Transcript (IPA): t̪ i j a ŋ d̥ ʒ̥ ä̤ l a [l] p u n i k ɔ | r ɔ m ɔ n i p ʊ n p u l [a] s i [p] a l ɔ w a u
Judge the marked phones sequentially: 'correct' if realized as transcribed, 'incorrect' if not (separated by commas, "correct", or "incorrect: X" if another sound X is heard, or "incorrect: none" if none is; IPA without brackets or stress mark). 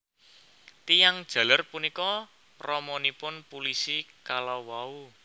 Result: incorrect: r, incorrect: i, incorrect: k